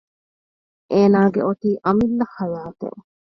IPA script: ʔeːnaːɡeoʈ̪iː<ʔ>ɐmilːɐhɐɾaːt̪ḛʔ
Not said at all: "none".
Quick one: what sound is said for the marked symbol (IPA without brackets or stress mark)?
ʔ